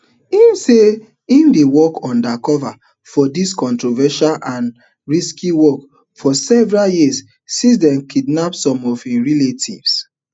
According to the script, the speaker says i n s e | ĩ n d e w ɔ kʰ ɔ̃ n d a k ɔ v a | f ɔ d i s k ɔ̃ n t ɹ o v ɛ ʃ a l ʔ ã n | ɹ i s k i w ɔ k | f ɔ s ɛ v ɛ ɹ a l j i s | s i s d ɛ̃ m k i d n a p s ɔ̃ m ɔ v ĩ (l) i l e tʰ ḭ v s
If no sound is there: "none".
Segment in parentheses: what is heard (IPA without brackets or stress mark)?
ɹ